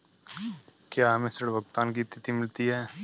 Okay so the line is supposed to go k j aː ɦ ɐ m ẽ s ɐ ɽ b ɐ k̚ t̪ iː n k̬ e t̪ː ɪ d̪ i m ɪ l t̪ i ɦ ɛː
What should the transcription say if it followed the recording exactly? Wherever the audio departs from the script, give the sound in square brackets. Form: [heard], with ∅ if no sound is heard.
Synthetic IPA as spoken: k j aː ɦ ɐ m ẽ s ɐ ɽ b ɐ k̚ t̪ [aː] n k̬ [i] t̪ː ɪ [t̪] i m ɪ l t̪ i ɦ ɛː